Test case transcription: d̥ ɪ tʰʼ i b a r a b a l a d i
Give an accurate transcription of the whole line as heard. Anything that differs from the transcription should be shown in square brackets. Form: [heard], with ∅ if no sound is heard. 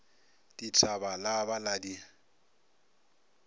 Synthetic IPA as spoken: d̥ [i] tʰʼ [a] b a [l] a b a l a d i